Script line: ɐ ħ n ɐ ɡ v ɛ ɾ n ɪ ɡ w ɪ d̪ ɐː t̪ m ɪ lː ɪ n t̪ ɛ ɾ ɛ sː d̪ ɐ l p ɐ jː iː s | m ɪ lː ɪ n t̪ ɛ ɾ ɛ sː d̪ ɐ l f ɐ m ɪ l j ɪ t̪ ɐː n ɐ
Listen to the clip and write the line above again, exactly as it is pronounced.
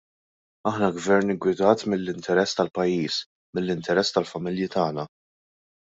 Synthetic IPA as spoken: ɐ ħ n ɐ ɡ v ɛ ɾ n ɪ ɡ w ɪ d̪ ɐː t̪ m ɪ lː ɪ n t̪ ɛ ɾ ɛ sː t̪ ɐ l p ɐ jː iː s | m ɪ lː ɪ n t̪ ɛ ɾ ɛ sː t̪ ɐ l f ɐ m ɪ l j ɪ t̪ ɐː n ɐ